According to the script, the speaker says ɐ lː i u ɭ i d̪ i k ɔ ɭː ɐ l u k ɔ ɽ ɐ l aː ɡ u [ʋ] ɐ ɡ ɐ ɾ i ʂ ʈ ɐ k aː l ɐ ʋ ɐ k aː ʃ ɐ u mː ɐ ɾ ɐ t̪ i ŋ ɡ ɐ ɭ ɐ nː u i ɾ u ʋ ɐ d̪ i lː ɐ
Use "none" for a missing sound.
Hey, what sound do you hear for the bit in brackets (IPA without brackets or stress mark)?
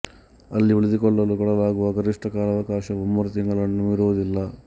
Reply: ʋ